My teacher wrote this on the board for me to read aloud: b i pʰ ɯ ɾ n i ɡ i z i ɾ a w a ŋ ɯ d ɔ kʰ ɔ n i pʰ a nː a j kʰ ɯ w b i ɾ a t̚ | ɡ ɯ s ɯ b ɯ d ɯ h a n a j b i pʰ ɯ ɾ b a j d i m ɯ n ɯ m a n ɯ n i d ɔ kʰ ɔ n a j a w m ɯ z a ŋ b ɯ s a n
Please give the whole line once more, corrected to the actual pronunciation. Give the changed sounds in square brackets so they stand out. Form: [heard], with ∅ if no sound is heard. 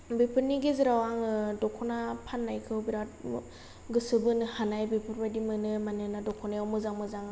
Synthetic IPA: b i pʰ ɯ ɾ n i ɡ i z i ɾ a w a ŋ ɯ d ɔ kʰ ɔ n [a] pʰ a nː a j kʰ ɯ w b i ɾ a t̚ | ɡ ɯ s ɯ b ɯ [n] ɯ h a n a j b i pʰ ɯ ɾ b a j d i m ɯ n ɯ m a n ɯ n [a] d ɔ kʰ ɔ n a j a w m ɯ z a ŋ [m] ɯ [z] a [ŋ]